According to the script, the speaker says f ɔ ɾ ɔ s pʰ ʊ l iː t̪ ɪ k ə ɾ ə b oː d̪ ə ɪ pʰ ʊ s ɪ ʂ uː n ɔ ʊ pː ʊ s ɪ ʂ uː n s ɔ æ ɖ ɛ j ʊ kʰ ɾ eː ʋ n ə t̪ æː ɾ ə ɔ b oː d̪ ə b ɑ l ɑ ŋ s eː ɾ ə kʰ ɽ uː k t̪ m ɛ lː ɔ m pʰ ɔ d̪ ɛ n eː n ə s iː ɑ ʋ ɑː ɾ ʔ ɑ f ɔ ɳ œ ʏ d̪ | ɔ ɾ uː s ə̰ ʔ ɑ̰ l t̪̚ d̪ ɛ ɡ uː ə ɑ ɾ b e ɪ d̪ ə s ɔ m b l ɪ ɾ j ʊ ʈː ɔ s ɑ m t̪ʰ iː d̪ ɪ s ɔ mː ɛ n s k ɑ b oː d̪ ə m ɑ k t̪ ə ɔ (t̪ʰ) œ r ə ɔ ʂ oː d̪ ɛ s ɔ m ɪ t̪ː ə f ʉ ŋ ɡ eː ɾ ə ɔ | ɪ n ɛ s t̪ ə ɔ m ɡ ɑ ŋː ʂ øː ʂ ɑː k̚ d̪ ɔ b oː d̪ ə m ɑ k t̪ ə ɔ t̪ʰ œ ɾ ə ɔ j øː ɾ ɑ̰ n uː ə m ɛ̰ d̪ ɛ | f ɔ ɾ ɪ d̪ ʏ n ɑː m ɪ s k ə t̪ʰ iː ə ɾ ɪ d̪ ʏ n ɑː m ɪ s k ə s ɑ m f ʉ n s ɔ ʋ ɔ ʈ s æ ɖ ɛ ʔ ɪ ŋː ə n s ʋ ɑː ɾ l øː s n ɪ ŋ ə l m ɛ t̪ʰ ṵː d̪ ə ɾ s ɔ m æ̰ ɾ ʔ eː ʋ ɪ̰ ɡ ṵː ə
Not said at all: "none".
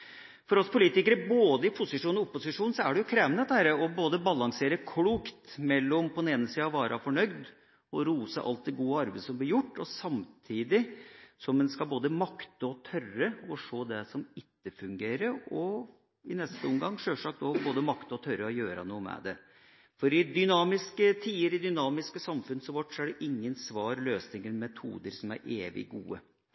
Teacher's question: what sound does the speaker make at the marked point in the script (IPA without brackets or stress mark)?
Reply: t̪ʰ